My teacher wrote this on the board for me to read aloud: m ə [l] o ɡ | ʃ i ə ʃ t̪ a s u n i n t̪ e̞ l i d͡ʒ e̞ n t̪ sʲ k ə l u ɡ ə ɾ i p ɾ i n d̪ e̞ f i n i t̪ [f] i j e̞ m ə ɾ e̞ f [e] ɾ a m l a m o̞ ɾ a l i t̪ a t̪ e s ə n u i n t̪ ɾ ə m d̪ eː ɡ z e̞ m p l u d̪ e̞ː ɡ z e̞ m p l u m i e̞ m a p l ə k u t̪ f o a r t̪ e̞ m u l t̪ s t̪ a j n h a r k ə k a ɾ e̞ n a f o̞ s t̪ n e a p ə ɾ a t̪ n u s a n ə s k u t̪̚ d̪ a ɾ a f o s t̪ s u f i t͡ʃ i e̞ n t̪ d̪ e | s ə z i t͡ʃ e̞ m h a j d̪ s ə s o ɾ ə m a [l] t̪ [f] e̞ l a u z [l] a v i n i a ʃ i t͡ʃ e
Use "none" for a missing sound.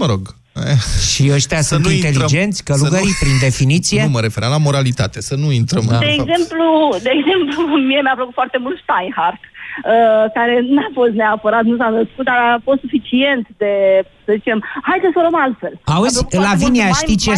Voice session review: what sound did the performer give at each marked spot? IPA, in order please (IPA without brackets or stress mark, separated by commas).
ɾ, s, e, l, f, l